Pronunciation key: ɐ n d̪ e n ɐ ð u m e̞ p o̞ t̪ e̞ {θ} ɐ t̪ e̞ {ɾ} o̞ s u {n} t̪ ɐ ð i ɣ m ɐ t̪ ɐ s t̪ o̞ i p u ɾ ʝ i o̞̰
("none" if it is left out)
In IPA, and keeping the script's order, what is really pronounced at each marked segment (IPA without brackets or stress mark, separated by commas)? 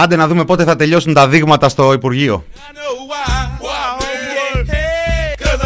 θ, ʎ, n